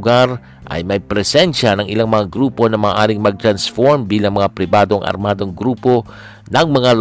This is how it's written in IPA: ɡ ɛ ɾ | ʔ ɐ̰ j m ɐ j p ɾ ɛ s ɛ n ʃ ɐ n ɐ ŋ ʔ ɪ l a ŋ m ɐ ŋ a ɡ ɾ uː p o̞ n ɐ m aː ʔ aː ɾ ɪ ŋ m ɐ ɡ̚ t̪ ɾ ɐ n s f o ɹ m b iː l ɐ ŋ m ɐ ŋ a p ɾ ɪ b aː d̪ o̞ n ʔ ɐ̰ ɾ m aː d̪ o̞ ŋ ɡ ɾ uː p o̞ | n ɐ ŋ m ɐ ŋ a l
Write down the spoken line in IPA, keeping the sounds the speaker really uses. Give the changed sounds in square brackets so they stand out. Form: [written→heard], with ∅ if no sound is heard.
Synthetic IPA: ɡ [ɛ→a] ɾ | ʔ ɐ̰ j m ɐ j p ɾ ɛ s ɛ n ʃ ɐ n ɐ ŋ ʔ ɪ l a ŋ m ɐ ŋ a ɡ ɾ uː p o̞ n ɐ m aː ʔ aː ɾ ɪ ŋ m ɐ ɡ̚ t̪ ɾ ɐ n s f o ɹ m b iː l ɐ ŋ m ɐ ŋ a p ɾ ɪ b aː d̪ o̞ [n→ŋ] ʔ ɐ̰ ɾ m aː d̪ o̞ ŋ ɡ ɾ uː p o̞ | n ɐ ŋ m ɐ ŋ a l